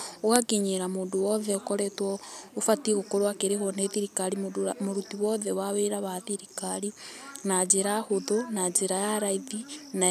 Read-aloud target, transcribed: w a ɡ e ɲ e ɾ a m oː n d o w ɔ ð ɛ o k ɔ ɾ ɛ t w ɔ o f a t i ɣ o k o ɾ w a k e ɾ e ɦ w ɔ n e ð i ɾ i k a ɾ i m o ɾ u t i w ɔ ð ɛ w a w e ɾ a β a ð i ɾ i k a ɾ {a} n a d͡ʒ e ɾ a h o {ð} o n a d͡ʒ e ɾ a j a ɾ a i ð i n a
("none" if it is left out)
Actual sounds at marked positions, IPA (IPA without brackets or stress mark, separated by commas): i, ð